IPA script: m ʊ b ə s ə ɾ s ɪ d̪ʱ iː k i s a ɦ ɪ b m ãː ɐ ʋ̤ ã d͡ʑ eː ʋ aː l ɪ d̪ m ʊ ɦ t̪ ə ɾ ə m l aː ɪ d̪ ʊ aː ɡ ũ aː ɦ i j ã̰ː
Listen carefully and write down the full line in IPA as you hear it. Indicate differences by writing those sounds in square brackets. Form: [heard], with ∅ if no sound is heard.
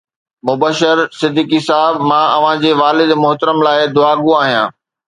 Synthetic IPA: m ʊ b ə [ʃ] ə ɾ s ɪ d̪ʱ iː k i s a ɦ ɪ b m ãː ɐ ʋ̤ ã d͡ʑ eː ʋ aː l ɪ d̪ m ʊ ɦ t̪ ə ɾ ə m l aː ɪ d̪ ʊ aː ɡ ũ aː ɦ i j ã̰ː